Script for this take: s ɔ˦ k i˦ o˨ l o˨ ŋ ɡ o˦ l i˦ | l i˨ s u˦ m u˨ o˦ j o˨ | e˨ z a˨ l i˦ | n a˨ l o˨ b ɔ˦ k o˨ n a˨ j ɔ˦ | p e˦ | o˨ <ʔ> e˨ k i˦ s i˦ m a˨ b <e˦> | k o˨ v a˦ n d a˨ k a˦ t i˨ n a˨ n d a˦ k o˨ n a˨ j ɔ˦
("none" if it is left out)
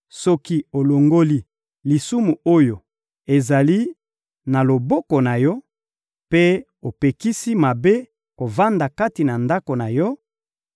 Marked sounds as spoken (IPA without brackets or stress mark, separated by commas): p, e˦